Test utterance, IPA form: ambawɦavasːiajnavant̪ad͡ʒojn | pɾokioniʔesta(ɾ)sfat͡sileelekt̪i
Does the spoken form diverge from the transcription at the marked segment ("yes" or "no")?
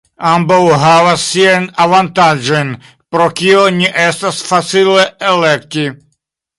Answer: yes